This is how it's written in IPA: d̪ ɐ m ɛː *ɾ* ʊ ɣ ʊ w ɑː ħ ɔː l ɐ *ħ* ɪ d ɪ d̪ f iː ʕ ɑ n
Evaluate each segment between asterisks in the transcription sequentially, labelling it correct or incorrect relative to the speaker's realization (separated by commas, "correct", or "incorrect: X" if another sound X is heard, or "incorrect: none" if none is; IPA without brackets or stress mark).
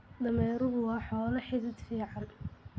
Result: correct, correct